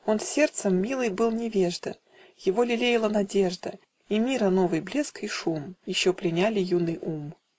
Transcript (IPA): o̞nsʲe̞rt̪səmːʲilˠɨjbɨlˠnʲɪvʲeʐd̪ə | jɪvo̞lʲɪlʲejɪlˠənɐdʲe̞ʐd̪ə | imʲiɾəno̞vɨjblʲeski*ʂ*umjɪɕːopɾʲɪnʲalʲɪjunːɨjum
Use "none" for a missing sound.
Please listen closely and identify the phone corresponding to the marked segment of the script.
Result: ʂ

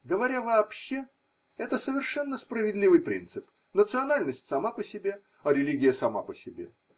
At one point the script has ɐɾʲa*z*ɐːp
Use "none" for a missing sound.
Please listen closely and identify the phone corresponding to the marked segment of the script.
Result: v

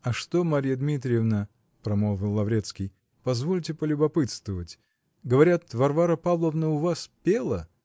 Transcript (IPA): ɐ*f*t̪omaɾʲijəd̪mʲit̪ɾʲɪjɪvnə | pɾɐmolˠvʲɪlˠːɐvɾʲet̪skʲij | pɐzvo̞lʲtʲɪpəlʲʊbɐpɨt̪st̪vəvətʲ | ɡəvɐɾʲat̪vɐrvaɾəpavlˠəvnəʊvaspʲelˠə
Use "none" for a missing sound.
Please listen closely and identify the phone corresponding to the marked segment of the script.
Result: ʂ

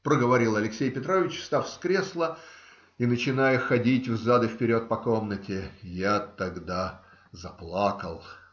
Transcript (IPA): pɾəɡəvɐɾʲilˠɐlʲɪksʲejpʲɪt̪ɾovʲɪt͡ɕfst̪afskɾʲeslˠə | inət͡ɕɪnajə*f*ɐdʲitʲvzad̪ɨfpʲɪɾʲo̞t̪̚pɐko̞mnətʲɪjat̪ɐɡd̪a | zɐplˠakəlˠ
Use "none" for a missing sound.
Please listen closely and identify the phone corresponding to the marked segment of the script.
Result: x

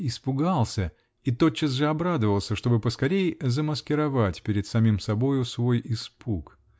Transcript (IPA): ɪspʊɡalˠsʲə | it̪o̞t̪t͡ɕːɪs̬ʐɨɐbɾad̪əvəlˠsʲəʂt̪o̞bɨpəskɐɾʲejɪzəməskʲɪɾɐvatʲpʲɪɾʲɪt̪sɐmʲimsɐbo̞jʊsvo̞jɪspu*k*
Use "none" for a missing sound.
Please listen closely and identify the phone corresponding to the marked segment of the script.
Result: k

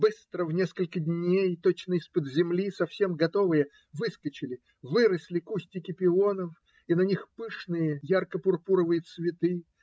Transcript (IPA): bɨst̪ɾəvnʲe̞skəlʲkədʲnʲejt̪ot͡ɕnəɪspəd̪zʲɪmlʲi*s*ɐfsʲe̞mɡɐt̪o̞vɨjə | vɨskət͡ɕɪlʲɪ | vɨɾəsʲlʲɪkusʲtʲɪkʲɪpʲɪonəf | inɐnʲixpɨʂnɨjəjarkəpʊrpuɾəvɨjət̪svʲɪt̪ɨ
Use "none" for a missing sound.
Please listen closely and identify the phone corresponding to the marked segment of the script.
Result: s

